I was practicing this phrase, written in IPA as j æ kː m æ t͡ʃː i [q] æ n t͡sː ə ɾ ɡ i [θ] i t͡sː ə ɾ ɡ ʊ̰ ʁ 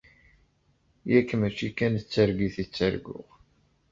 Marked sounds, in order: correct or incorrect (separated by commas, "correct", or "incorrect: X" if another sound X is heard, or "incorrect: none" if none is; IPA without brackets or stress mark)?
incorrect: k, correct